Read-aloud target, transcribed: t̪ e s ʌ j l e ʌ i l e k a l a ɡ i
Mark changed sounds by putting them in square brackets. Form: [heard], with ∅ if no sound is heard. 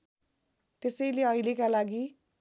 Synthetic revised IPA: t̪ e s ʌ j l e ʌ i l e k a l a ɡ i

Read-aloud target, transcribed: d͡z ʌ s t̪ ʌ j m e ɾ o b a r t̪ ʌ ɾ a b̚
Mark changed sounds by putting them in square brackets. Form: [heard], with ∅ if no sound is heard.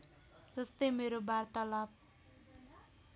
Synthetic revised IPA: d͡z ʌ s t̪ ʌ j m e ɾ o b a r t̪ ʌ [l] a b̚

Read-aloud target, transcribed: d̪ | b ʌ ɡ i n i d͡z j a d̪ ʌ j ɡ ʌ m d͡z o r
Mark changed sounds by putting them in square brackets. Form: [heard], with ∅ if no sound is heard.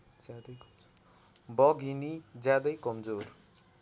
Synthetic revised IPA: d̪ | b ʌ ɡ i n i d͡z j a d̪ ʌ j [k] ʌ m d͡z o r

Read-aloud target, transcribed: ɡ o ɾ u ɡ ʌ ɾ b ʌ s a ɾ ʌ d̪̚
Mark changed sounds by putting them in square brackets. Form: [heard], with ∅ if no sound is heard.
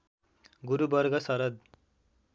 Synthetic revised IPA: ɡ [u] ɾ u [b] ʌ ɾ [ɡ] ʌ s [ʌ] ɾ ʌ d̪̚

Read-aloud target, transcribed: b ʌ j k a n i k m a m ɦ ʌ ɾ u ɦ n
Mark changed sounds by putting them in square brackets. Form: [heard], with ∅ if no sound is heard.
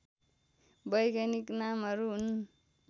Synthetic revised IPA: b ʌ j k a n i k [n] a m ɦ ʌ ɾ u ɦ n

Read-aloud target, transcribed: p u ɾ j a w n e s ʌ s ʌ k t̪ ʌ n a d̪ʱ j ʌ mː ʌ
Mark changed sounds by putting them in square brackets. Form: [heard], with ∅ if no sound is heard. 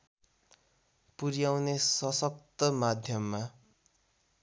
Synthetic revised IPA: p u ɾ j a w n e s ʌ s ʌ k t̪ ʌ [m] a d̪ʱ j ʌ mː [a]

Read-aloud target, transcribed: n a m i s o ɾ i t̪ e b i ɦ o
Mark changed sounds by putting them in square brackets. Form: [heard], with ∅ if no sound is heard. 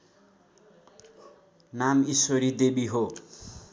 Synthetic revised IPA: n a m i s o ɾ i [d̪] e b i ɦ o

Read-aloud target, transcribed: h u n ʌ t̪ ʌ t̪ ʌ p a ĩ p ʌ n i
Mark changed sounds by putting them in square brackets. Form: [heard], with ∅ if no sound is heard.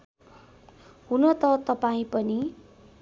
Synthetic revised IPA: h u n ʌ t̪ ʌ t̪ ʌ p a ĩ p ʌ n i

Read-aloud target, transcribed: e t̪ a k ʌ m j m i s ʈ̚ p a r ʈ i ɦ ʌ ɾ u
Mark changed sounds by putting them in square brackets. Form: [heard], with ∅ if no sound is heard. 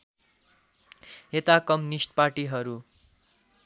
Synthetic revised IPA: e t̪ a k ʌ m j [n] i s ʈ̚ p a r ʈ i ɦ ʌ ɾ u

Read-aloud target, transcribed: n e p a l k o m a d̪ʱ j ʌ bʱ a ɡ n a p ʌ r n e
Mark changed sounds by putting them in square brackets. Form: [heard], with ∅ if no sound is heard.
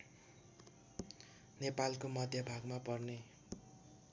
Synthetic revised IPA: n e p a l k o m [ʌ] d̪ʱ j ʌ bʱ a ɡ [m] a p ʌ r n e

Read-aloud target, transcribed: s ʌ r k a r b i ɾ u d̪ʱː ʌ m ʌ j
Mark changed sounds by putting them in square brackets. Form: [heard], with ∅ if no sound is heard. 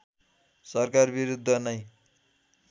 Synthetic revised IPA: s ʌ r k a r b i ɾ u d̪ʱː ʌ [n] ʌ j

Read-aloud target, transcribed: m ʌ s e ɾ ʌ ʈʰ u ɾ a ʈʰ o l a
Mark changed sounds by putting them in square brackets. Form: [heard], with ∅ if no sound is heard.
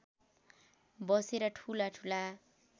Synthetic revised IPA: [b] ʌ s e ɾ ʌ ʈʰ u [l] a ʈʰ [u] l a

